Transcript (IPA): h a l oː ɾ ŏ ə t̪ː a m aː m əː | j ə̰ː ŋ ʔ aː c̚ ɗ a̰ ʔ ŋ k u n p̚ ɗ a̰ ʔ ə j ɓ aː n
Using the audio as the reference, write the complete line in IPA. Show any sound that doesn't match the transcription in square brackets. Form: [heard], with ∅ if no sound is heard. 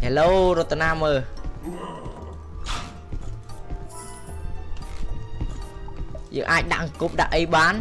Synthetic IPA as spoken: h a l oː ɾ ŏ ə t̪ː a [n] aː m əː | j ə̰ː ŋ ʔ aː c̚ ɗ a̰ ʔ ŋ k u [∅] p̚ ɗ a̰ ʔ ə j ɓ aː n